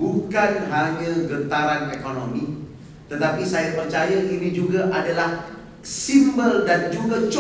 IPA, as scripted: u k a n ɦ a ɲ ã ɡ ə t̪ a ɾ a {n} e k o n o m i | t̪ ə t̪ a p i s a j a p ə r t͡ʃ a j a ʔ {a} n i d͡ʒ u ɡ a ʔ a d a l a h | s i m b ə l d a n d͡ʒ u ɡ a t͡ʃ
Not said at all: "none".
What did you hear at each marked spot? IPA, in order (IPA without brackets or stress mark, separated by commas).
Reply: n, i